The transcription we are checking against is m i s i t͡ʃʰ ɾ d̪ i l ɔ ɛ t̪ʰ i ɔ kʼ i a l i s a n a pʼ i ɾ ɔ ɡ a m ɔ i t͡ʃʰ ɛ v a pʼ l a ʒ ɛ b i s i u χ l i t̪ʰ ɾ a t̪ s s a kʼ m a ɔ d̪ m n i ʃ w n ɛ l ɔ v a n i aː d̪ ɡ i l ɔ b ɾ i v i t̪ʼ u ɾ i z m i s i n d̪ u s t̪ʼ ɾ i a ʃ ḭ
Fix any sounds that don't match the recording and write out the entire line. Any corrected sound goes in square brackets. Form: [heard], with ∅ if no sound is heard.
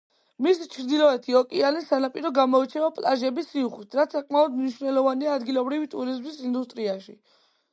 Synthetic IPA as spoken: m i s i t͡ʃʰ ɾ d̪ i l ɔ ɛ t̪ʰ i ɔ kʼ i a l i s a n a pʼ i ɾ ɔ ɡ a m ɔ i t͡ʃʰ ɛ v a pʼ l a ʒ ɛ b i s i u χ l i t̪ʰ ɾ a t̪ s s a kʼ m a ɔ d̪ m n i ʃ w n ɛ l ɔ v a n i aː d̪ ɡ i l ɔ b ɾ i v i t̪ʼ u ɾ i z m i s i n d̪ u s t̪ʼ ɾ i a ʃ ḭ